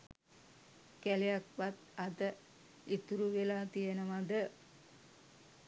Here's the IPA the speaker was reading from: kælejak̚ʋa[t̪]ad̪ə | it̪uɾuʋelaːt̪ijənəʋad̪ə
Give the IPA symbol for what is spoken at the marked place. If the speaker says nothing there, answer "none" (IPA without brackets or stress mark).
t̪